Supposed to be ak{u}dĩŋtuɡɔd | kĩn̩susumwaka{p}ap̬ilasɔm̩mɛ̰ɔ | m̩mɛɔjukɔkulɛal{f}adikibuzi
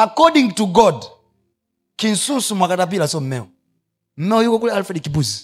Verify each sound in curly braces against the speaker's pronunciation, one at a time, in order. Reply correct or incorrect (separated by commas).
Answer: incorrect, incorrect, correct